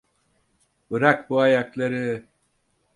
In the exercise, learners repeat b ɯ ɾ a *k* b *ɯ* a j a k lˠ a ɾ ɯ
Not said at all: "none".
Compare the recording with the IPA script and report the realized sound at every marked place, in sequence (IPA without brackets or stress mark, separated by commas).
k, u